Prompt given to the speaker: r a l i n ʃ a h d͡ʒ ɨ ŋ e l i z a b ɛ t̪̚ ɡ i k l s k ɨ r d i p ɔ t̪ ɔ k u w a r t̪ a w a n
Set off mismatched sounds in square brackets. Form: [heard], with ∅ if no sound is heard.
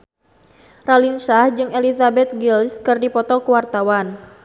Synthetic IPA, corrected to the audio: r a l i n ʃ a h d͡ʒ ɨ ŋ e l i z a b ɛ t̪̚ ɡ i [∅] l s k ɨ r d i p ɔ t̪ ɔ k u w a r t̪ a w a n